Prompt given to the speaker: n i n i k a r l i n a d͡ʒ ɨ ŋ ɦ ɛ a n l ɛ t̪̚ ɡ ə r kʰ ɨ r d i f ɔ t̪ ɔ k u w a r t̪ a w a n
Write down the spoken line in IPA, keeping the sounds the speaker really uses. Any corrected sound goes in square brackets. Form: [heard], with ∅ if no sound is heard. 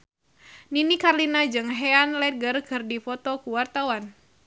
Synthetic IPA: n i n i k a r l i n a d͡ʒ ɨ ŋ ɦ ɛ a n l ɛ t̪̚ ɡ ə r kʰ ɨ r d i f ɔ t̪ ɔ k u w a r t̪ a w a n